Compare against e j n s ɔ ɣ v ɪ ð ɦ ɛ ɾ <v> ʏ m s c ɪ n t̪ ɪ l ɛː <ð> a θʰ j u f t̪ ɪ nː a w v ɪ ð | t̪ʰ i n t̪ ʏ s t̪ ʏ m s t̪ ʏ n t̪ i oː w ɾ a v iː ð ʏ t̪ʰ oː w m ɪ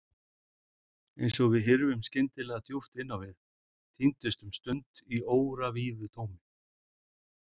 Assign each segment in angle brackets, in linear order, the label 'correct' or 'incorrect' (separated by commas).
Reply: correct, incorrect